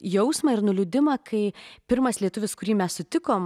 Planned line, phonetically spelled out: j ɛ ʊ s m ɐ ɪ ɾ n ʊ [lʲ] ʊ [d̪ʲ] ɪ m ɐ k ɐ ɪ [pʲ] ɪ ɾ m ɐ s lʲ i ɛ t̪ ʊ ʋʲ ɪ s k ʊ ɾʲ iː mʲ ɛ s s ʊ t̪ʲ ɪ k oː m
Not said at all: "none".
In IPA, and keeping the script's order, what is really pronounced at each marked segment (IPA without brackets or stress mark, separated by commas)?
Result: lʲ, d̪ʲ, pʲ